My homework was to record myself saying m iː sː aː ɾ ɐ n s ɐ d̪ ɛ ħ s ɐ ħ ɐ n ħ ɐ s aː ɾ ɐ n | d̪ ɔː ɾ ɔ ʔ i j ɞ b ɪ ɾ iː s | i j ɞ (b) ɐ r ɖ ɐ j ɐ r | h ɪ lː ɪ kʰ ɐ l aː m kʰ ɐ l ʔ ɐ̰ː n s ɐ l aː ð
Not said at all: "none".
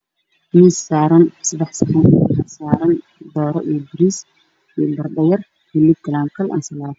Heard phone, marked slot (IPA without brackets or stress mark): b